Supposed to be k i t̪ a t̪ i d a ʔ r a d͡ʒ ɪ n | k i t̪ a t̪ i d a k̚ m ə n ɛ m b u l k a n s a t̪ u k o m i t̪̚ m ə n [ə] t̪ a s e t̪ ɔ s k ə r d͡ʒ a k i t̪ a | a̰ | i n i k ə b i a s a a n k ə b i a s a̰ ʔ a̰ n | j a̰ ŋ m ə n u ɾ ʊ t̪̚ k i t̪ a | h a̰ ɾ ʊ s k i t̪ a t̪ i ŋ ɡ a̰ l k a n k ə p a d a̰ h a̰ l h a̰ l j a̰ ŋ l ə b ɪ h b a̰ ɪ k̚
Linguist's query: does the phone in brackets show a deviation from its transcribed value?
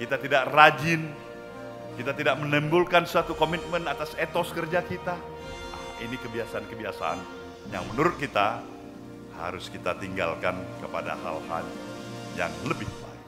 yes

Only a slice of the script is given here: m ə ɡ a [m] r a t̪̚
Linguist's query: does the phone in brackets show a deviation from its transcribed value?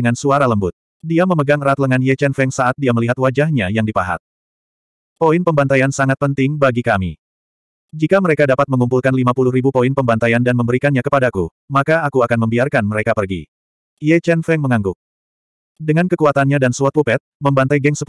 yes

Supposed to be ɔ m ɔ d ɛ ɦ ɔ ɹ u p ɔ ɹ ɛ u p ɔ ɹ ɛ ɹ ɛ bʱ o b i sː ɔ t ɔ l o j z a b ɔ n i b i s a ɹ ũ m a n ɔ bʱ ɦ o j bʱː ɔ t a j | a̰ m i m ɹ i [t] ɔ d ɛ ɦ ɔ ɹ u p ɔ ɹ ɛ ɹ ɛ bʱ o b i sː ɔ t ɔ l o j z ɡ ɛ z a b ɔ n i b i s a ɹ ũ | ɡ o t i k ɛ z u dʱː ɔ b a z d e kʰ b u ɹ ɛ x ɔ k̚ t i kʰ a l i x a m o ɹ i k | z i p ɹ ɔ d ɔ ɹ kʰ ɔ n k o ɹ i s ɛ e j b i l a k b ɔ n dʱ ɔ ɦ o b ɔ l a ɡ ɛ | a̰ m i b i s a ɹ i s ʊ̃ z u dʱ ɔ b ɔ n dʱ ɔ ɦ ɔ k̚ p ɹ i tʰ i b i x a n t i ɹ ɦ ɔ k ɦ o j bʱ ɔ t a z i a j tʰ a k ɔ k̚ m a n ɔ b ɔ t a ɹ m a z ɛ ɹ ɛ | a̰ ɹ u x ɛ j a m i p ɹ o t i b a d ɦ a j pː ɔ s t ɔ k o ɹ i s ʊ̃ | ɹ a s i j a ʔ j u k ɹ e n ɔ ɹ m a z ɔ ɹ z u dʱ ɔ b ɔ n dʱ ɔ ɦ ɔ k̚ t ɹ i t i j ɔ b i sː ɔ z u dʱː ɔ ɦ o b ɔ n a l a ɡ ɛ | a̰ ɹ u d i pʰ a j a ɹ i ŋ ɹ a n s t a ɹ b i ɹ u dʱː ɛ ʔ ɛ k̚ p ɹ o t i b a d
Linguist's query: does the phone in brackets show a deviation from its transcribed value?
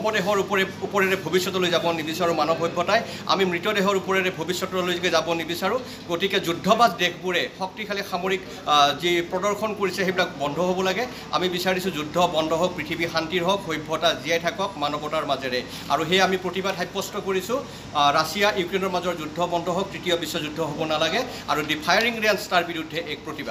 no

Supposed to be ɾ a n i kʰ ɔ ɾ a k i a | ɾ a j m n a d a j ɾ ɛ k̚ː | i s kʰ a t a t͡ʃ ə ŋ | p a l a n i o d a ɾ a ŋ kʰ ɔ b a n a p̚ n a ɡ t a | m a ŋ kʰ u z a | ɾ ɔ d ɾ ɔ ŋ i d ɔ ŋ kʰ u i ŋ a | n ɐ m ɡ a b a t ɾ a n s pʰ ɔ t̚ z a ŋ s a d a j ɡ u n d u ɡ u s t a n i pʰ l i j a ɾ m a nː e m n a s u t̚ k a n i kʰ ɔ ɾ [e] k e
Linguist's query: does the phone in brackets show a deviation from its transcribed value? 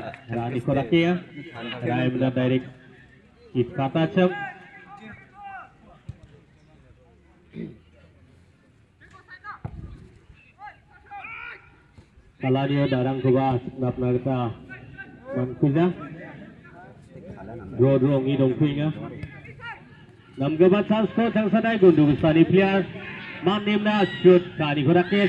yes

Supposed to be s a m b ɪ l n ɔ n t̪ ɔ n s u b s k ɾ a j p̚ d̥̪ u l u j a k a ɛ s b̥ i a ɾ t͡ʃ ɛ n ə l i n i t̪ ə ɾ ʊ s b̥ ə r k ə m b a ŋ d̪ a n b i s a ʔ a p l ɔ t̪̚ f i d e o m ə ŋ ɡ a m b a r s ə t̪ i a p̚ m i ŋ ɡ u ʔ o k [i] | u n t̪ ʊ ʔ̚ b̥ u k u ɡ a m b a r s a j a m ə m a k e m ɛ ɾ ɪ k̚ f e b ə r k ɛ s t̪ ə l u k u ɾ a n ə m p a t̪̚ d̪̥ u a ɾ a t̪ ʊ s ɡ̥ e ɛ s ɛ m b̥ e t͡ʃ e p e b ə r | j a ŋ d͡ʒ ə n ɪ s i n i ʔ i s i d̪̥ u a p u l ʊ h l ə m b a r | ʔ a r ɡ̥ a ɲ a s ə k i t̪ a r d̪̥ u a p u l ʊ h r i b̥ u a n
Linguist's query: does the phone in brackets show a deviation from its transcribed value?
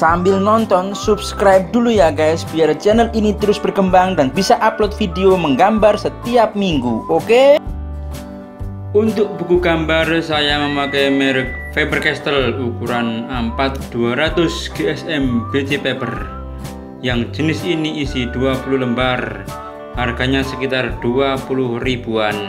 yes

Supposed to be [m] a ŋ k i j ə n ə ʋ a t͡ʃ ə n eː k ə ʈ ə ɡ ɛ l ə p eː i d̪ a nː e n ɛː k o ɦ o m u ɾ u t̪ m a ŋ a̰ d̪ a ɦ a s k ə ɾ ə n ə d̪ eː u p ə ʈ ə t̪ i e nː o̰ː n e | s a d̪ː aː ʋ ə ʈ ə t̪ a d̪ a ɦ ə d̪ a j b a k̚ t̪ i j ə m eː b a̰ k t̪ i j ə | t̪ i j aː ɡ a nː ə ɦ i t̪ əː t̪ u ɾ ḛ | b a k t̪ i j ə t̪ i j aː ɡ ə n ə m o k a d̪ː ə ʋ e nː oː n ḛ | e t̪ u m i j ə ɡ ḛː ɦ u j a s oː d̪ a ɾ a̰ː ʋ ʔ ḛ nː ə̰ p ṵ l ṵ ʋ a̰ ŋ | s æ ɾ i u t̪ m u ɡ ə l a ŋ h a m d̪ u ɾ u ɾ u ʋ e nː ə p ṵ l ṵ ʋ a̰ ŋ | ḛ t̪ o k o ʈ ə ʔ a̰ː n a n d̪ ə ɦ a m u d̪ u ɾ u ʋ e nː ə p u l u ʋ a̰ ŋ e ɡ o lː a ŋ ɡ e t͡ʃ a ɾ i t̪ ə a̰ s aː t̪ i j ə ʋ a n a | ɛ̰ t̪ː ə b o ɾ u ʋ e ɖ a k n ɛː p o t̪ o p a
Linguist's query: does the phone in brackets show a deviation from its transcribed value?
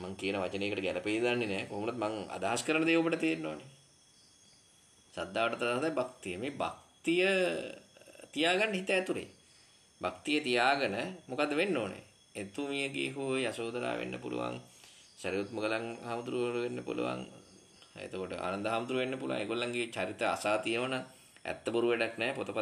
no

